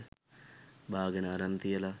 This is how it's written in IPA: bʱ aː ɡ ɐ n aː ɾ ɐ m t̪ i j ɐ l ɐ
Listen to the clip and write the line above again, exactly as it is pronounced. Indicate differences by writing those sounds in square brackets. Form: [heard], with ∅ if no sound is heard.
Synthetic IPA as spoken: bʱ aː ɡ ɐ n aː ɾ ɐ [n] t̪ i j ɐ l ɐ